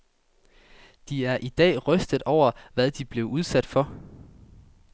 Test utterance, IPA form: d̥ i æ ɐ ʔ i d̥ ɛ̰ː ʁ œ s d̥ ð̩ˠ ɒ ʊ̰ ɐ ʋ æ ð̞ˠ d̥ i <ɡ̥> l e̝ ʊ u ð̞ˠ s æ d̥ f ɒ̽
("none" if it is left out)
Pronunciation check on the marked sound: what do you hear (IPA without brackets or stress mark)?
b̥